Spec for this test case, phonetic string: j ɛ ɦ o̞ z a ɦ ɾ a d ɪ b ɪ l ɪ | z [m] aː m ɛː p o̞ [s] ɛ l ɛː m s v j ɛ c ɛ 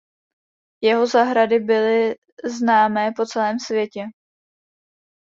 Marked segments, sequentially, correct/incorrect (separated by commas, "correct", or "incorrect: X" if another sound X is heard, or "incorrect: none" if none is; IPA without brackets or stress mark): incorrect: n, incorrect: t͡s